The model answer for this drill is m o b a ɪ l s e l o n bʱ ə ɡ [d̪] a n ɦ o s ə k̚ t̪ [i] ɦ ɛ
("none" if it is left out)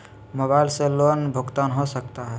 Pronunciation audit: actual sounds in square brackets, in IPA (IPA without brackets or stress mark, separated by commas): t̪, a